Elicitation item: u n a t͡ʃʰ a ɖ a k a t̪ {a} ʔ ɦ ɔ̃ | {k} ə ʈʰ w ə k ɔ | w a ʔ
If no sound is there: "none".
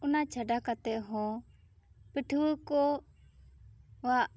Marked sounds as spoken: ɛ, p

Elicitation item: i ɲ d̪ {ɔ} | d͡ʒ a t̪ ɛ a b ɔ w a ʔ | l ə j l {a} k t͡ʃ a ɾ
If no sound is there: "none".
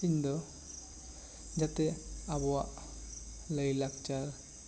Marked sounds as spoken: ɔ, a

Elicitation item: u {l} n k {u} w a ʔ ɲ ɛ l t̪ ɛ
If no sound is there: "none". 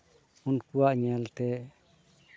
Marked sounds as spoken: none, u

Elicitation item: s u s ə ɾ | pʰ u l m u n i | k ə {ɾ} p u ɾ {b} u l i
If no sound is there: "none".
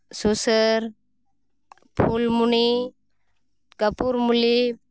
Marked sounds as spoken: none, m

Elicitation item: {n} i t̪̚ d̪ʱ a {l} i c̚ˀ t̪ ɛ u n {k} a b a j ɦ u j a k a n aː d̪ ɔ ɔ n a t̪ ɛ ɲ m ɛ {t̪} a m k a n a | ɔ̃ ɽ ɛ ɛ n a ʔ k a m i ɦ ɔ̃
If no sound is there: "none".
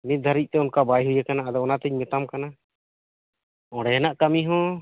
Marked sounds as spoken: m, ɾ, k, t̪

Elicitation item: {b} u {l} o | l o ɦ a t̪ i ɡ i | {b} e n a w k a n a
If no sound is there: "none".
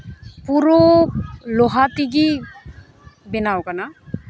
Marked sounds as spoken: p, ɾ, b

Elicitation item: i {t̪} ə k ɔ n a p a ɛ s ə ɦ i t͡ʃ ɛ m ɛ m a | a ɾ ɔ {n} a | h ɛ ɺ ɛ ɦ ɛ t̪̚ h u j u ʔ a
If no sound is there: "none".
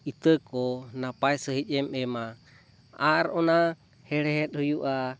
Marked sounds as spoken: t̪, n

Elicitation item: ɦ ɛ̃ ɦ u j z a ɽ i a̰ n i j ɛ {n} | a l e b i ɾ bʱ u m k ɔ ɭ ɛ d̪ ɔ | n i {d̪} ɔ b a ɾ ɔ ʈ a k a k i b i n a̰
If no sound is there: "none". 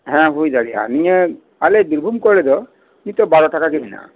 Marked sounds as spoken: none, t̪

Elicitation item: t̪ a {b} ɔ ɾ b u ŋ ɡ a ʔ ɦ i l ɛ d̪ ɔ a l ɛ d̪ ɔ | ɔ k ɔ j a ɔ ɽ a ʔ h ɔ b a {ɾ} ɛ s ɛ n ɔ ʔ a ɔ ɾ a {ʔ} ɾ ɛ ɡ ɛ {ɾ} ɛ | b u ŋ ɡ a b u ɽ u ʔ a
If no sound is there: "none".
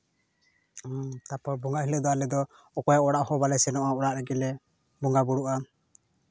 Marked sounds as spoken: p, l, ʔ, l

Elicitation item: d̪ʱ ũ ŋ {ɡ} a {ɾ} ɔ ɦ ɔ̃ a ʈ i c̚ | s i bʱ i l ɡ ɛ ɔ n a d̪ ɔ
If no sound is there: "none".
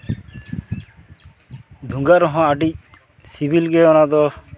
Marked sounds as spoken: ɡ, ɾ

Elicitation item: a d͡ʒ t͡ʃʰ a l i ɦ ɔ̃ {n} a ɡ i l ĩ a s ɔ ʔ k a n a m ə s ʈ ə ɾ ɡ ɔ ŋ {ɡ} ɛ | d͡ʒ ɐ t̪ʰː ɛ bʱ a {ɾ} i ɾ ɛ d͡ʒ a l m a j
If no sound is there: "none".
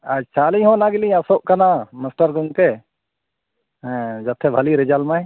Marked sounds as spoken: n, k, l

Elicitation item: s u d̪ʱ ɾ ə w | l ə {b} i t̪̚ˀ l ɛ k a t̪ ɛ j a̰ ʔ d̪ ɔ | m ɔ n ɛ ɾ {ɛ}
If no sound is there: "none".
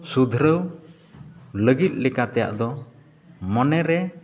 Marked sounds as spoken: ɡ, ɛ

